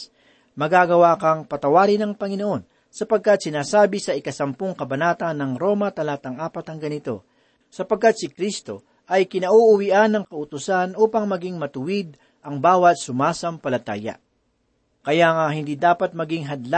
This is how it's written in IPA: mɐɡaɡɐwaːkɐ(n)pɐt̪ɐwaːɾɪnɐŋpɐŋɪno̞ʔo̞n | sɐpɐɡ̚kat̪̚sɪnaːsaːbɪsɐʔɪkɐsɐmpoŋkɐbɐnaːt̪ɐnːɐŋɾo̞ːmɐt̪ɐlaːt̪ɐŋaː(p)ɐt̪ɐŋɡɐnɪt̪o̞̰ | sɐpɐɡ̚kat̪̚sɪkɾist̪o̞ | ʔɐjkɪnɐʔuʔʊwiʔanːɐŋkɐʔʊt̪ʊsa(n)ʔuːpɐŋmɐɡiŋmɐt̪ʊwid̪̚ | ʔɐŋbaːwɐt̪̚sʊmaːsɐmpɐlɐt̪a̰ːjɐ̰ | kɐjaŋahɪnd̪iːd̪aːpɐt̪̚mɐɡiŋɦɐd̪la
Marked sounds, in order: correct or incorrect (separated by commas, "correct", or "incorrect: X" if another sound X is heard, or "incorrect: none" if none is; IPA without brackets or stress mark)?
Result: incorrect: ŋ, correct, correct